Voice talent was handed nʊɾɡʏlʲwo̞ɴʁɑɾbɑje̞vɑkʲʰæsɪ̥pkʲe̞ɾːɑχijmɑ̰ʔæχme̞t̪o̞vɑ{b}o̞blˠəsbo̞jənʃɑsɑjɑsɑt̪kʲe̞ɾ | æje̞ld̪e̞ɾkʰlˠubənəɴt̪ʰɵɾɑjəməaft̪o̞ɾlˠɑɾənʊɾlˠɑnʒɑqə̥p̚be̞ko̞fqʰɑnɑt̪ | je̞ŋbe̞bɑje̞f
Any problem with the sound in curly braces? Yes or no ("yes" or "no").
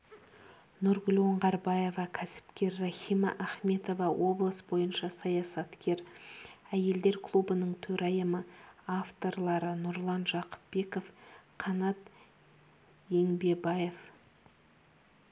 yes